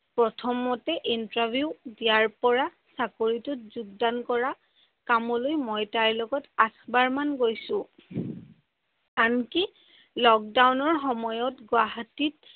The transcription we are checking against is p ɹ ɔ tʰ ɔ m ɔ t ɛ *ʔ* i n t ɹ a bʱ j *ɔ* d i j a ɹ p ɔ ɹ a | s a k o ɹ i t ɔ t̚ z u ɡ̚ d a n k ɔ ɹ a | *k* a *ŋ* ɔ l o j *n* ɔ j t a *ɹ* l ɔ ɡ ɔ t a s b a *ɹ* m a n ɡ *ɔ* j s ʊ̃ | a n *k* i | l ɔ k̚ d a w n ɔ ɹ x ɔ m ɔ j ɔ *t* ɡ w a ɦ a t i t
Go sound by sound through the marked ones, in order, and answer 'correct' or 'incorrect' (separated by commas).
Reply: correct, incorrect, correct, incorrect, incorrect, correct, correct, incorrect, correct, correct